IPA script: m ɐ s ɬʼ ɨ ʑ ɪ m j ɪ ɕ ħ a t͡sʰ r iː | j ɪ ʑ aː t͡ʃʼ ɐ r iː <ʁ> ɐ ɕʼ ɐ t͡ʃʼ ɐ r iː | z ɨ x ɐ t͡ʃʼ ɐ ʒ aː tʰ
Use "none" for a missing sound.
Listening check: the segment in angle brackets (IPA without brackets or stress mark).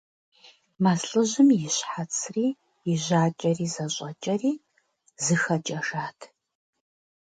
z